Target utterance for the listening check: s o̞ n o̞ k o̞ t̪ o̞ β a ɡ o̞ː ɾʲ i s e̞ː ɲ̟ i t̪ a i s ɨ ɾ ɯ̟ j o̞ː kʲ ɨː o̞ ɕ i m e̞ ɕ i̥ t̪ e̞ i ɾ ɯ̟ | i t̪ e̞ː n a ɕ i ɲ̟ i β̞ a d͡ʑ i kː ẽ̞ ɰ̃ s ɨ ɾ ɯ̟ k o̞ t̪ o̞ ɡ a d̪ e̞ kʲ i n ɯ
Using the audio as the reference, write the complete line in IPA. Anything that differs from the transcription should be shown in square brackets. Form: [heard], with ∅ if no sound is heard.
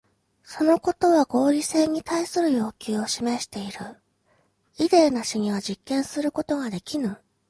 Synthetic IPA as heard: s o̞ n o̞ k o̞ t̪ o̞ β a ɡ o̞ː ɾʲ i s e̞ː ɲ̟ i t̪ a i s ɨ ɾ ɯ̟ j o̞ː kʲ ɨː o̞ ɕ i m e̞ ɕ i̥ t̪ e̞ i ɾ ɯ̟ | i [d̪] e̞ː n a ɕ i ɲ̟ i β̞ a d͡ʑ i kː ẽ̞ ɰ̃ s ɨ ɾ ɯ̟ k o̞ t̪ o̞ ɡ a d̪ e̞ kʲ i n ɯ